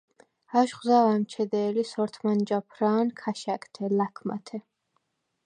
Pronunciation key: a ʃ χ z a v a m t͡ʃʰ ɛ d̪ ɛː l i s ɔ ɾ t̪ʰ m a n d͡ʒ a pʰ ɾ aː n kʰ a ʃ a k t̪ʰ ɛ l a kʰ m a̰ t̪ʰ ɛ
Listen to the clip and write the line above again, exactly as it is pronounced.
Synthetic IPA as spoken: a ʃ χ z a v a m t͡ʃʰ ɛ d̪ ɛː l i s ɔ ɾ t̪ʰ m a n d͡ʒ a pʰ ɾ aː n kʰ a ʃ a k t̪ʰ ɛ l a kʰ m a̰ t̪ʰ ɛ